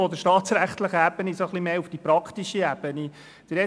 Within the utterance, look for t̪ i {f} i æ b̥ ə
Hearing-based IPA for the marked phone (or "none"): ʃ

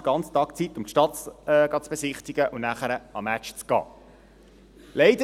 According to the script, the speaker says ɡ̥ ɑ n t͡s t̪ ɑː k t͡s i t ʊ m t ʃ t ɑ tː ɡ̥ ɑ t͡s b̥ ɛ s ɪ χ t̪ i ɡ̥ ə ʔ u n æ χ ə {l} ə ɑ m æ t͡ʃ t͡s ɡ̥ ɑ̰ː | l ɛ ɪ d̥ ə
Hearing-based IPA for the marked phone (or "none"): ɾ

